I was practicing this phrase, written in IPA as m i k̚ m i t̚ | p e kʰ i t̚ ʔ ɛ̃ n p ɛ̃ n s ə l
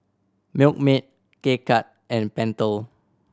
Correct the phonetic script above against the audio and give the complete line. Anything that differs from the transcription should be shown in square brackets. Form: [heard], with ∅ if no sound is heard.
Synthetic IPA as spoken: m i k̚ m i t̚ | [k] e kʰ [a] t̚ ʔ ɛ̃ n p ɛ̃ n [t] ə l

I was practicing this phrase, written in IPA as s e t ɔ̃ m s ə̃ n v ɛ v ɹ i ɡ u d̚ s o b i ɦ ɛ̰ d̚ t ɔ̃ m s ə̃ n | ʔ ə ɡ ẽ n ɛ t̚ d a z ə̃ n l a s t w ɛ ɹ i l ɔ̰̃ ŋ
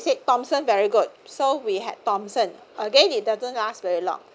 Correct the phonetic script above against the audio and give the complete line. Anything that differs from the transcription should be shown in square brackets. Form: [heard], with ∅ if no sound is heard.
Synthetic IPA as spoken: s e t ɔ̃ m s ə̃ n v ɛ [∅] ɹ i ɡ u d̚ s o [w] i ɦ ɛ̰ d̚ t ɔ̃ m s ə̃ n | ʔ ə ɡ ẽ n [i] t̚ d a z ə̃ n l a s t [v] ɛ ɹ i l ɔ̰̃ ŋ

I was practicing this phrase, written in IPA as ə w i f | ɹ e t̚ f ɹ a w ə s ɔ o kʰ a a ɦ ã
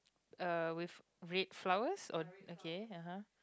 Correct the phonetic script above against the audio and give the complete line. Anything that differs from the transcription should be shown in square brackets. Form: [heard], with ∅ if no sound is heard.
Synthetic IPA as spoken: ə w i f | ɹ e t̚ f [l] a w ə s ɔ o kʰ [e] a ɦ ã

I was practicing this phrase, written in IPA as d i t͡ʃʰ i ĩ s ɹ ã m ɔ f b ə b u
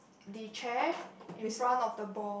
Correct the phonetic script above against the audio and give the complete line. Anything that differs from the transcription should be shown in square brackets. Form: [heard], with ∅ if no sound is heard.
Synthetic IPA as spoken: d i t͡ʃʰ [ɛ] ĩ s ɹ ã [n] ɔ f [d] ə b [ɔ]

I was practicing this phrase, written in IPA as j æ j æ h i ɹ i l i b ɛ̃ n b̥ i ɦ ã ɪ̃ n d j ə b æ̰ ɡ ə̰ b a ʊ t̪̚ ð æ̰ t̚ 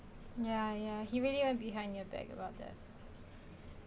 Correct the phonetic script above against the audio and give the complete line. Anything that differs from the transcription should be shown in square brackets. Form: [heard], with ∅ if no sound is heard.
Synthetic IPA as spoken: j æ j æ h i ɹ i l i [w] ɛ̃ n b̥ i ɦ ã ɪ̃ n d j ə b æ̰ ɡ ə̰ b a ʊ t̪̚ ð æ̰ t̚

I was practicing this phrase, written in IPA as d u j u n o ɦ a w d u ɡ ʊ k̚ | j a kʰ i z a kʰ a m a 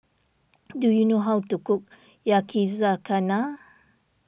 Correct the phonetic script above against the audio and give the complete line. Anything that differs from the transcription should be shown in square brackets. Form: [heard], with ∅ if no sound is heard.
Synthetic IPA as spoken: d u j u n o ɦ a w [t] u [k] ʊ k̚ | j a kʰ i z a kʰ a [n] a

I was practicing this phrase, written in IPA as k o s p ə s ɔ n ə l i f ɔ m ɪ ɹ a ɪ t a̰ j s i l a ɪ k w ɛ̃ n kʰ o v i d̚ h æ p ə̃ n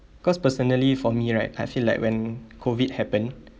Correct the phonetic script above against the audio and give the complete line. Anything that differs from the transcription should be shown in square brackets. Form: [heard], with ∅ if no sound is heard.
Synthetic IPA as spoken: k [ɔ] s p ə s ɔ n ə l i f ɔ m [i] ɹ a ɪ t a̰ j [f] i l a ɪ k w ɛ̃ n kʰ o v i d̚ h [ɛ] p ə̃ n

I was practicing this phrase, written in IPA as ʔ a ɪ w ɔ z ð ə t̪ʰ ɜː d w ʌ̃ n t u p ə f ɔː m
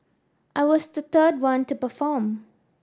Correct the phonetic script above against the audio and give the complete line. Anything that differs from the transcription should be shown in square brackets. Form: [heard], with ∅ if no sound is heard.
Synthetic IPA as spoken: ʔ a ɪ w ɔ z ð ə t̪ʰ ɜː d w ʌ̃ n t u p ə f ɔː m

